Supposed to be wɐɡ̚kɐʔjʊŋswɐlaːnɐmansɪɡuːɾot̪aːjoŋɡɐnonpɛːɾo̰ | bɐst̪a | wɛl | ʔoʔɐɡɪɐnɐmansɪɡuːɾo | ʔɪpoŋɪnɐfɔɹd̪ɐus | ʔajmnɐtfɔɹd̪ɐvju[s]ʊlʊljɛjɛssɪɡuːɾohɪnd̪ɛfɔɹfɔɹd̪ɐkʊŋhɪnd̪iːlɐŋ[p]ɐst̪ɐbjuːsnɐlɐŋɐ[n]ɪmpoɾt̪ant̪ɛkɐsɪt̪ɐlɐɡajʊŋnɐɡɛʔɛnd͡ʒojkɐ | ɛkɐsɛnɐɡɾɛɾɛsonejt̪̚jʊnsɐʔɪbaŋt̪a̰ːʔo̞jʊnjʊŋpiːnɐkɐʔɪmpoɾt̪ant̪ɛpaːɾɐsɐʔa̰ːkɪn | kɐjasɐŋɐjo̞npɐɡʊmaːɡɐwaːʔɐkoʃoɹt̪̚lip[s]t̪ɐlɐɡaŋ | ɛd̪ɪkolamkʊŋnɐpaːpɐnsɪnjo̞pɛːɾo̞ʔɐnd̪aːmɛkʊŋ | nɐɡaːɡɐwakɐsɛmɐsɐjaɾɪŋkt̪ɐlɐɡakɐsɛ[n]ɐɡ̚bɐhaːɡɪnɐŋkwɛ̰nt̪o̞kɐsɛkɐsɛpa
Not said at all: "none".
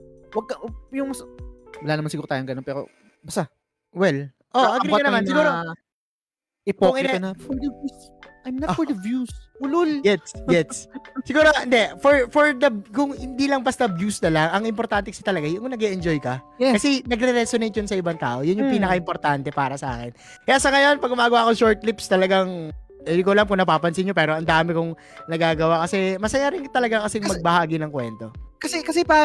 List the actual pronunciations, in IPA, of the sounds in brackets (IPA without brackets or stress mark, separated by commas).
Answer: s, b, ŋ, s, m